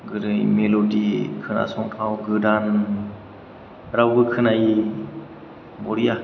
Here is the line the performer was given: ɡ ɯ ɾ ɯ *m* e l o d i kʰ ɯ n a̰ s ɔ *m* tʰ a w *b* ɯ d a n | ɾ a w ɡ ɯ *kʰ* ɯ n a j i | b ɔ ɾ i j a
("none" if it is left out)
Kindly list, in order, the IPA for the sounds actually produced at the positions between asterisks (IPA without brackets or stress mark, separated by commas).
m, ŋ, ɡ, kʰ